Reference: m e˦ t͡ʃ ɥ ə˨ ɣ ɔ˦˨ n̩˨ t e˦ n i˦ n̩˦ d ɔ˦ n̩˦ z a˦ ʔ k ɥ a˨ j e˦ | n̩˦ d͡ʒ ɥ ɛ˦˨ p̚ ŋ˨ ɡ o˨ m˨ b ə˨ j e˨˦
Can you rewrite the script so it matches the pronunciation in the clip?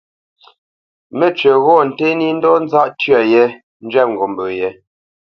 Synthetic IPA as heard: m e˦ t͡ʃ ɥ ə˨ ɣ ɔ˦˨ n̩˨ t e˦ n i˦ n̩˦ d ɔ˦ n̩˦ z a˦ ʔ t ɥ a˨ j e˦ | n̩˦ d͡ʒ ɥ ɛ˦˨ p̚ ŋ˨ ɡ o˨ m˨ b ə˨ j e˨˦